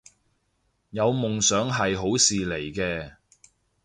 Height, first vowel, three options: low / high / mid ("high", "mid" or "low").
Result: low